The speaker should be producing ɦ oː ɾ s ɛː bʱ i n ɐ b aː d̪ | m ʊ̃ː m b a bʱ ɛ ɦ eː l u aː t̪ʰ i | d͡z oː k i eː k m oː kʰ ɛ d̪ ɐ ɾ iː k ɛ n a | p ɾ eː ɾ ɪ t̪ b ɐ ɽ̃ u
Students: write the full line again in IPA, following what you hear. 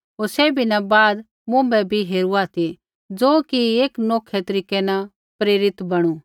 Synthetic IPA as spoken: ɦ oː ɾ s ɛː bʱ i n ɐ b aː d̪ | m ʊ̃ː m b ɛ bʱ i ɦ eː ɾ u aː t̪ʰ i | d͡z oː k i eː k n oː kʰ ɛ t̪ ɐ ɾ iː k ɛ n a | p ɾ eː ɾ ɪ t̪ b ɐ ɽ̃ u